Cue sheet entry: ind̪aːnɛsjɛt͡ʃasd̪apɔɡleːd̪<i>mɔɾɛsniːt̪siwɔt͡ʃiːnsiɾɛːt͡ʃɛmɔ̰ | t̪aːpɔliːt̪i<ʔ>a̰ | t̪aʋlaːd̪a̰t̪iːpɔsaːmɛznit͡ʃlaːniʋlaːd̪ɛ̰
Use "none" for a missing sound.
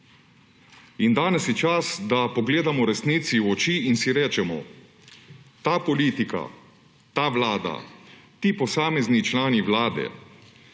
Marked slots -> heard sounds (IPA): a, k

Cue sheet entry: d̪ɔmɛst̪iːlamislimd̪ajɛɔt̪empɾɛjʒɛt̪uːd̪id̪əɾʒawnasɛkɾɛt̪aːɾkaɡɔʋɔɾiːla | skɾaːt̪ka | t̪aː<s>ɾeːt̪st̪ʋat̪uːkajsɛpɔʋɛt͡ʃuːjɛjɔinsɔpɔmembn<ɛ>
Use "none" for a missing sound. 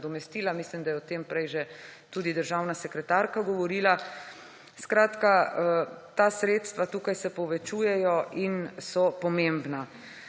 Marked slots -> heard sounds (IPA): s, a

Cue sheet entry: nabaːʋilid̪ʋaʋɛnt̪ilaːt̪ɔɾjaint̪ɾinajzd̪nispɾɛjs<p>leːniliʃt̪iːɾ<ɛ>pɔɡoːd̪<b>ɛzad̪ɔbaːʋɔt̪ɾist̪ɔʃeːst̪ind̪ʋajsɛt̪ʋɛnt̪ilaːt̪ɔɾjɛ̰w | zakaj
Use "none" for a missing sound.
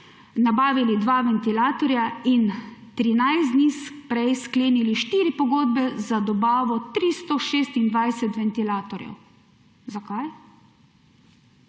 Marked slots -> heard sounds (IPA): k, i, b

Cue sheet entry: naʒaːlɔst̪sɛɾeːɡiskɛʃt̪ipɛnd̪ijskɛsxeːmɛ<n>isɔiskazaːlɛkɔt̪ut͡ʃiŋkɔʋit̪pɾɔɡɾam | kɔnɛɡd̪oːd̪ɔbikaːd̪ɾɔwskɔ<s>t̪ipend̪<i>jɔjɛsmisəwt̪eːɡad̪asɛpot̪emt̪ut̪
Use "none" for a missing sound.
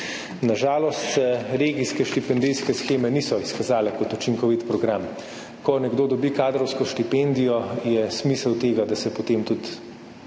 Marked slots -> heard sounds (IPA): n, ʃ, i

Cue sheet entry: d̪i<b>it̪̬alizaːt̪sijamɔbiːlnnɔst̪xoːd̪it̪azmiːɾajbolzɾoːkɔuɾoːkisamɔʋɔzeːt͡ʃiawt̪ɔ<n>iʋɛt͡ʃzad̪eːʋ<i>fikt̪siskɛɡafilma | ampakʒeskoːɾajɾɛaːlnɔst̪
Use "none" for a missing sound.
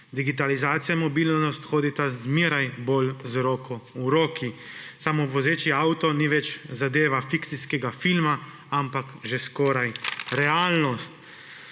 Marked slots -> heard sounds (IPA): ɡ, n, a

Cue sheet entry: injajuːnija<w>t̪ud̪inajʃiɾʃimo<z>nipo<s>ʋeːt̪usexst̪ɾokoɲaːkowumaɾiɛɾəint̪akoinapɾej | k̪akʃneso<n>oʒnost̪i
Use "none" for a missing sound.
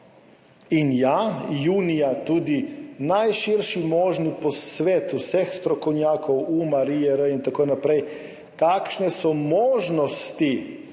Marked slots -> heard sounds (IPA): none, ʒ, s, m

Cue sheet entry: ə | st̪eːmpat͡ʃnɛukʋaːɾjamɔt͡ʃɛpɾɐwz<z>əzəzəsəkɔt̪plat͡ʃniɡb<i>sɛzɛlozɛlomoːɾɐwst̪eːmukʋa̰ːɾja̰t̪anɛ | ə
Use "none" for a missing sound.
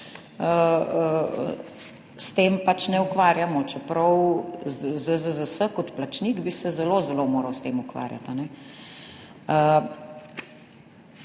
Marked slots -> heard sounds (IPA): z, i

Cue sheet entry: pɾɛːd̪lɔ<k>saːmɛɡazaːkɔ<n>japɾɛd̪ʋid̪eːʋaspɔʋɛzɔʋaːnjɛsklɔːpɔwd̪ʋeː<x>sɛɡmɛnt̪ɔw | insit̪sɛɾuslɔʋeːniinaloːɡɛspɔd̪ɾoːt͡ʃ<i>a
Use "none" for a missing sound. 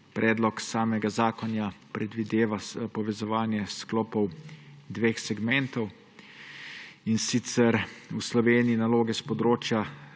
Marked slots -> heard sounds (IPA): k, n, x, j

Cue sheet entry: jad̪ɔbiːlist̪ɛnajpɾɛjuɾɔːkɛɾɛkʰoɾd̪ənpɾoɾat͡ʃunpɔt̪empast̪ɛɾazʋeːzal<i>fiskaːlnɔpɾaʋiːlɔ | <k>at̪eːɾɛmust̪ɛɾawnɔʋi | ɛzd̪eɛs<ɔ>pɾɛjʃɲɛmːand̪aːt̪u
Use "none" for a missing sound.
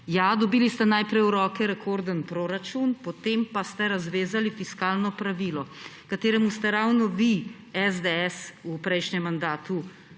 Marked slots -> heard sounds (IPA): i, k, u

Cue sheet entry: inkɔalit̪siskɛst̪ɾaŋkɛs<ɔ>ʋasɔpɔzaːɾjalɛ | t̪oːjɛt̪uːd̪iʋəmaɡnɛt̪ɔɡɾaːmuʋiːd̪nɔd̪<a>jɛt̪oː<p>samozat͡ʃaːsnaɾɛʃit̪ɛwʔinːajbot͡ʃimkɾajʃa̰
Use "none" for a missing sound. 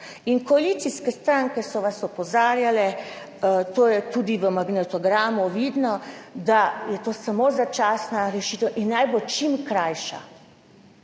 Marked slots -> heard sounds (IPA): ɔ, a, none

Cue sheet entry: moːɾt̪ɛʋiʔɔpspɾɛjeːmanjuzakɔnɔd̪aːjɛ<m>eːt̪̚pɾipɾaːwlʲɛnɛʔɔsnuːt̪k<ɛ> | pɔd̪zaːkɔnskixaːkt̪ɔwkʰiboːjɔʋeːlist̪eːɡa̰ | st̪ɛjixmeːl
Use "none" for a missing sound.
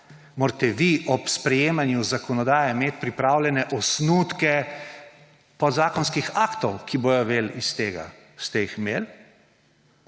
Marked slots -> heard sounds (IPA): m, ɛ

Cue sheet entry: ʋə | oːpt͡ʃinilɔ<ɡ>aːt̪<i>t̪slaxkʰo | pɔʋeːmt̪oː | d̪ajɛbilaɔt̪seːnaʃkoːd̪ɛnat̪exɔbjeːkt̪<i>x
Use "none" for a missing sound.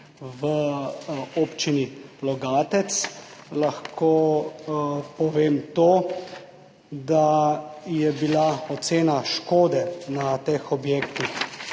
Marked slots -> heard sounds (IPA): ɡ, ɛ, i

